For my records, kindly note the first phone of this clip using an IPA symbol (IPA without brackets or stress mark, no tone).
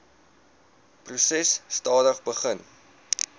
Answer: p